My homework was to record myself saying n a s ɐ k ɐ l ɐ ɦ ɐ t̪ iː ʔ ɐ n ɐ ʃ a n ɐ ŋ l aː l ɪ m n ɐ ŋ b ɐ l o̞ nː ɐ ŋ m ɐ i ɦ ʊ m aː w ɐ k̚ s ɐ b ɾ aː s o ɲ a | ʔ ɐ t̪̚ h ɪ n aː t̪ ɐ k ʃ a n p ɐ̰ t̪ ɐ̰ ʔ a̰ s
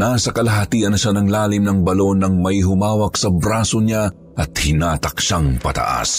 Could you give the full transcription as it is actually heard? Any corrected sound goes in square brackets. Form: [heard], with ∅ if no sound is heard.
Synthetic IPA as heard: n a s ɐ k ɐ l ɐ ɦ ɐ t̪ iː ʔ ɐ n ɐ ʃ a n ɐ ŋ l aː l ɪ m n ɐ ŋ b ɐ l o̞ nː ɐ ŋ m ɐ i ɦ ʊ m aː w ɐ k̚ s ɐ b ɾ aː s o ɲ a | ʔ ɐ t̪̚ h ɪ n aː t̪ ɐ k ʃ a [ŋ] p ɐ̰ t̪ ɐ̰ ʔ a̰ s